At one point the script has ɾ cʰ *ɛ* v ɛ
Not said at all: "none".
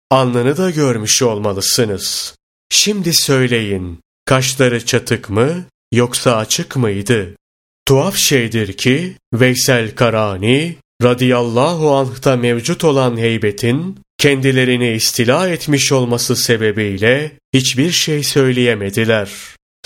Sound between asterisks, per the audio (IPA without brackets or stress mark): i